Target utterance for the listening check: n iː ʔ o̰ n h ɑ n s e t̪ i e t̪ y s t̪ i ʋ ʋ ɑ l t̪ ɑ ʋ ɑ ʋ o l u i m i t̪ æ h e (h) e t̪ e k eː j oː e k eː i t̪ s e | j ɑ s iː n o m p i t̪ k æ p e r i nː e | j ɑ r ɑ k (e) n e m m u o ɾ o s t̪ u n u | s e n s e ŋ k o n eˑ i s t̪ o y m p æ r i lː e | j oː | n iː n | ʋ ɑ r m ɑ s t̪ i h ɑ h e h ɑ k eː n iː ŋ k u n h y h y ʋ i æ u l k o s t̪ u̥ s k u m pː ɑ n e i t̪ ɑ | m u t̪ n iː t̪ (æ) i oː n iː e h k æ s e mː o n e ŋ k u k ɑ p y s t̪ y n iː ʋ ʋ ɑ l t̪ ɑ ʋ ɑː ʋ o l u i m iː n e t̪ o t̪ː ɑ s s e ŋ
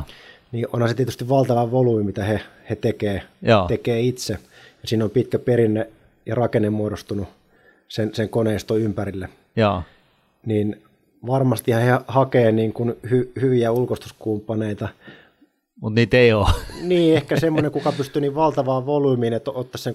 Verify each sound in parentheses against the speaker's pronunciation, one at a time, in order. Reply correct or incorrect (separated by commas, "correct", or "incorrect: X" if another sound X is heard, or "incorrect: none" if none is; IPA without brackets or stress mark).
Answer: correct, correct, incorrect: e